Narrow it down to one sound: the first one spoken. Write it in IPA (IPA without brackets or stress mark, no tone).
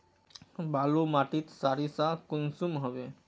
b